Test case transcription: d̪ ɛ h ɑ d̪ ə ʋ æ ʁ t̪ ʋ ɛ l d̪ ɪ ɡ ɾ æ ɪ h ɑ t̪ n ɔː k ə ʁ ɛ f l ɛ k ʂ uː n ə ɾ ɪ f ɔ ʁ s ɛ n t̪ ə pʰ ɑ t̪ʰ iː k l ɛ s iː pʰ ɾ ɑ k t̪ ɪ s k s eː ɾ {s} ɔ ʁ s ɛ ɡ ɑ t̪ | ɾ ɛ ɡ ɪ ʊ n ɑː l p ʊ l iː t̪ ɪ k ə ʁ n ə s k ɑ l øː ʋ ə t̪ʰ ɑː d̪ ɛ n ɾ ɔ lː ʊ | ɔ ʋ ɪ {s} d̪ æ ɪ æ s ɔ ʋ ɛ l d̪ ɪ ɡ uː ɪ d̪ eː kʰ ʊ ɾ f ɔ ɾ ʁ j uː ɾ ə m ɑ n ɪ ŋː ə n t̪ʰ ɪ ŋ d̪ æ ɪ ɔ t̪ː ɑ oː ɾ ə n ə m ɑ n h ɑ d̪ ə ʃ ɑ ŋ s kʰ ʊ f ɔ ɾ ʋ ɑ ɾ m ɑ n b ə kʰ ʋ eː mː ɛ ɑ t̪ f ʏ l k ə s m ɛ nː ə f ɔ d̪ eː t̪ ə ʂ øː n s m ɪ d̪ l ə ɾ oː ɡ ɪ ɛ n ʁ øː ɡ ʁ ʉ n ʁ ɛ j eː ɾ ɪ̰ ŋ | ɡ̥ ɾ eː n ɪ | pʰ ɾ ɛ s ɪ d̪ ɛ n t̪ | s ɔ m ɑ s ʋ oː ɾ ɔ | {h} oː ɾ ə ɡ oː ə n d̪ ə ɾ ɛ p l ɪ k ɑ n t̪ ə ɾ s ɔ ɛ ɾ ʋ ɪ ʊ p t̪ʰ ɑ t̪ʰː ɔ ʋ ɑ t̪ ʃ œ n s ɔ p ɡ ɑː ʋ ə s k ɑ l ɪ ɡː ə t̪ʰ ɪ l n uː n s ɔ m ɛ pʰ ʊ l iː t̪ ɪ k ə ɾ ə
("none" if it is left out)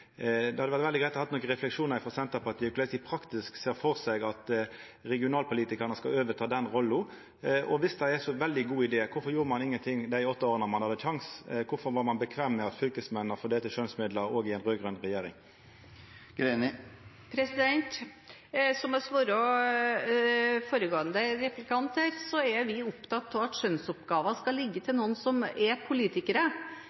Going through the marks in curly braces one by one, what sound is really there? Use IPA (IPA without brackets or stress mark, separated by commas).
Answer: f, s, f